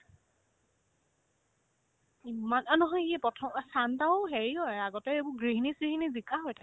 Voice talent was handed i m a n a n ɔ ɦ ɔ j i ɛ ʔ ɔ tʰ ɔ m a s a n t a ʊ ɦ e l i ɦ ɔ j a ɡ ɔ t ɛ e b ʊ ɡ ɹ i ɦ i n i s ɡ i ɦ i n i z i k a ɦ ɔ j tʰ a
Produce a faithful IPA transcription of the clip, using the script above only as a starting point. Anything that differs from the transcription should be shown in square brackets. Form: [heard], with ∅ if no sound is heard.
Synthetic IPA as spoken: i m a n a n ɔ ɦ ɔ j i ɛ [p] ɔ tʰ ɔ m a s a n t a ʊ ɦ e [ɹ] i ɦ ɔ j a ɡ ɔ t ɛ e b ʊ ɡ ɹ i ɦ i n i s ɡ i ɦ i n i z i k a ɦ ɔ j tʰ a